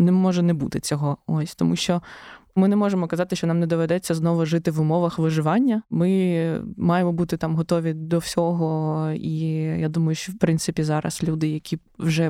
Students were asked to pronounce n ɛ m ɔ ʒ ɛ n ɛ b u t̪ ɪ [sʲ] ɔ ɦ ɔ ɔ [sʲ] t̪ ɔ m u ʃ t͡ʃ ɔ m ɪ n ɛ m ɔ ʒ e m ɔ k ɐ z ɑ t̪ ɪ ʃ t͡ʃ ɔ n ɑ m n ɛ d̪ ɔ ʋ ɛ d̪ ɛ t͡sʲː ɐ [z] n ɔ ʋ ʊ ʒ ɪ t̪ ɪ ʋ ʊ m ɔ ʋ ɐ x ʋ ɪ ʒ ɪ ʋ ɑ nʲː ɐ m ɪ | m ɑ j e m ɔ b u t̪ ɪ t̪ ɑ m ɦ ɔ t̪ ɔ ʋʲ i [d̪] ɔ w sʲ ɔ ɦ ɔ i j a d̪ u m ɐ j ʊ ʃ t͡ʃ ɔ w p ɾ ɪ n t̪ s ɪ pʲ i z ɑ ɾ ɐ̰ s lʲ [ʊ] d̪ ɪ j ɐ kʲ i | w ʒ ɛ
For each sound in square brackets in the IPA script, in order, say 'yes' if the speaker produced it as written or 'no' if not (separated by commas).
no, yes, yes, yes, no